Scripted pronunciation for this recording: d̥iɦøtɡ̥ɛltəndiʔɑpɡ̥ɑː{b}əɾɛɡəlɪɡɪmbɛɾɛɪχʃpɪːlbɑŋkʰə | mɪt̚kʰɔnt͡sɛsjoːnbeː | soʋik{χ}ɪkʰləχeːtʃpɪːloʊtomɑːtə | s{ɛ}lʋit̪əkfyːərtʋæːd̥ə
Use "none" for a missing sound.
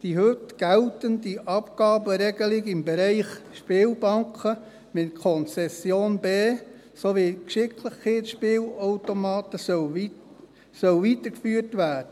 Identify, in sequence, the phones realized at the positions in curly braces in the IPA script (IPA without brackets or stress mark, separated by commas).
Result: b, ʃ, œ